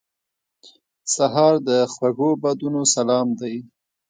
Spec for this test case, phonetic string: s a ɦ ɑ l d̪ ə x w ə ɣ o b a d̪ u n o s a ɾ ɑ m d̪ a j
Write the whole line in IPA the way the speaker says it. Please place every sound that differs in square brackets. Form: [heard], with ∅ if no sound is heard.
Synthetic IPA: s a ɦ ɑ [ɾ] d̪ ə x w [a] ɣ o b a d̪ u n o s a [l] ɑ m d̪ a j